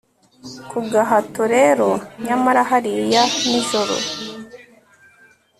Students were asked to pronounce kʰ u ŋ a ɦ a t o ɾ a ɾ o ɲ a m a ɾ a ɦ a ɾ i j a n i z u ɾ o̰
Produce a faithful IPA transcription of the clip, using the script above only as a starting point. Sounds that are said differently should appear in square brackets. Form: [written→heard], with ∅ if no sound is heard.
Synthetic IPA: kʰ u [ŋ→ɡ] a ɦ a t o ɾ [a→e] ɾ o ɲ a m a ɾ a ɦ a ɾ i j a n i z [u→o] ɾ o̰